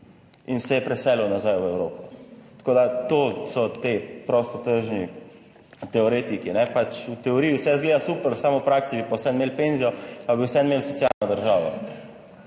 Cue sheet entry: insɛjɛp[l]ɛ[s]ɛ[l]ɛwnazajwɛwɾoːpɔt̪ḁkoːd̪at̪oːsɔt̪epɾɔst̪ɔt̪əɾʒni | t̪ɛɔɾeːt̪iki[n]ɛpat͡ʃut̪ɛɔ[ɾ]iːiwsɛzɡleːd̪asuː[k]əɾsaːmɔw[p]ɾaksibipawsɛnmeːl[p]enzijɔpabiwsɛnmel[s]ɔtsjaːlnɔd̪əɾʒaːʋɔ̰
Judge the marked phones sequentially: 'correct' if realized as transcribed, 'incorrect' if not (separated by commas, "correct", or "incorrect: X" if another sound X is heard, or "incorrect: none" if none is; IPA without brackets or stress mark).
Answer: incorrect: ɾ, correct, correct, correct, correct, incorrect: p, correct, correct, correct